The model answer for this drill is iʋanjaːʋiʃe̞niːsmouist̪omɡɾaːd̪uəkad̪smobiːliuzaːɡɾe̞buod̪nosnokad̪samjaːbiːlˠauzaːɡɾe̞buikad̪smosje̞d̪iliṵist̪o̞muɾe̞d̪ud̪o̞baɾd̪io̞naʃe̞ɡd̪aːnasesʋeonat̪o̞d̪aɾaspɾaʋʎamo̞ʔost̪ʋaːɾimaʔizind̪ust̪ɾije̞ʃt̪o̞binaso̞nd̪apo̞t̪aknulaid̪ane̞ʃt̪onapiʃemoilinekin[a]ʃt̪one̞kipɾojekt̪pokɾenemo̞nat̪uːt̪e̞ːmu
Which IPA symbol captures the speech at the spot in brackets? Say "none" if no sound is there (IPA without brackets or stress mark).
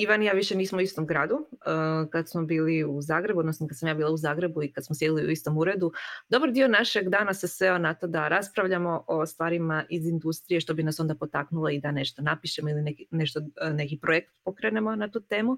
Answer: e